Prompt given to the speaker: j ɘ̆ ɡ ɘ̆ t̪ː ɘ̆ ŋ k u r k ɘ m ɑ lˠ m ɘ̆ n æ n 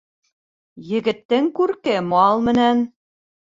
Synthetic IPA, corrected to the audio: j ɘ̆ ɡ ɘ̆ t̪ː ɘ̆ ŋ k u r k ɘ m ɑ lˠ m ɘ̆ n æ n